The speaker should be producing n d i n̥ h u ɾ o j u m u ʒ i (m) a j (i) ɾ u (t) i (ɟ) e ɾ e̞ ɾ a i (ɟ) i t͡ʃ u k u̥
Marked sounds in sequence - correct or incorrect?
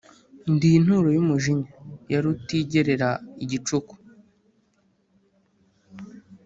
incorrect, incorrect, correct, correct, correct

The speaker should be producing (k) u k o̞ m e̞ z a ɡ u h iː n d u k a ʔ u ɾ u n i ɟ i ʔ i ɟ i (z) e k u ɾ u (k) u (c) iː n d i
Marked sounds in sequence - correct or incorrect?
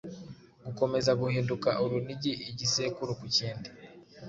incorrect, incorrect, correct, correct

